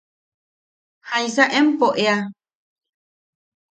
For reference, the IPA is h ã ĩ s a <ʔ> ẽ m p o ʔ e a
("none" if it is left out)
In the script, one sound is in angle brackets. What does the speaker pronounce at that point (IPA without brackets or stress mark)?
ʔ